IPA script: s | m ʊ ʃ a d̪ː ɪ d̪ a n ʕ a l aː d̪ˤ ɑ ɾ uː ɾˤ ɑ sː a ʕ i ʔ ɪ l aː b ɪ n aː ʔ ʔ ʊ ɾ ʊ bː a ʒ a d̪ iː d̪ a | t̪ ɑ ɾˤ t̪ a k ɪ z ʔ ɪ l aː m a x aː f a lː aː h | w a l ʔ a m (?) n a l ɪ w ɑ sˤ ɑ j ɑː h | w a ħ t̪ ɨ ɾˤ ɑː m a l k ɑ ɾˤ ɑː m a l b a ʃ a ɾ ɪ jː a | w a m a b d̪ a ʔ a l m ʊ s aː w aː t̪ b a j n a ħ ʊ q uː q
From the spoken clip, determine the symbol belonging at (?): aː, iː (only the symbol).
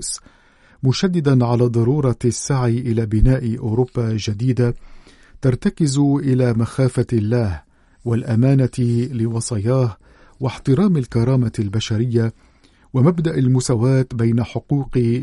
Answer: aː